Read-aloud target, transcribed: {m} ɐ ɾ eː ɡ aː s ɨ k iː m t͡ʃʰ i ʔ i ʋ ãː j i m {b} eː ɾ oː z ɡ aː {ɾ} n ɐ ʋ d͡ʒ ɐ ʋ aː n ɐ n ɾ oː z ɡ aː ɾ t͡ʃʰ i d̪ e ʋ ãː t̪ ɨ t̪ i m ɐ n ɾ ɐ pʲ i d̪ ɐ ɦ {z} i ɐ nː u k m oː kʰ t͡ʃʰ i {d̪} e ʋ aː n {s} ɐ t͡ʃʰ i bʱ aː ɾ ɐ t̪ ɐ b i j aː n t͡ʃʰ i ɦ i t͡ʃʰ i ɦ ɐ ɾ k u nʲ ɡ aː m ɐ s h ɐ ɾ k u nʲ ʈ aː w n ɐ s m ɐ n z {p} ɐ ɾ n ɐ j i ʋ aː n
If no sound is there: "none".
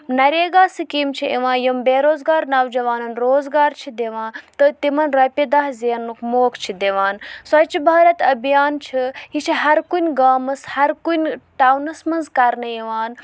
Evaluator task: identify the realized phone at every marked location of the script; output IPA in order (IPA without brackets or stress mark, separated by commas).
n, b, ɾ, z, d̪, s, k